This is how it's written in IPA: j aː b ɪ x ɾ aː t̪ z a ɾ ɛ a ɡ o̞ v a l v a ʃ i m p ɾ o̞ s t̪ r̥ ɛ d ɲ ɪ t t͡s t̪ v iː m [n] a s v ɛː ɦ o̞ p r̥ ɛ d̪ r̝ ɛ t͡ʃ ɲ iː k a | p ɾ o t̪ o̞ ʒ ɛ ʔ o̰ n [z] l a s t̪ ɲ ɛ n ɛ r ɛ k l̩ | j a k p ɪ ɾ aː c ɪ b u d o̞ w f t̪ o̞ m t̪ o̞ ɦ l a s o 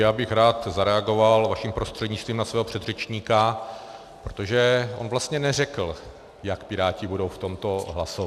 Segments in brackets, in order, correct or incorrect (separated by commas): correct, incorrect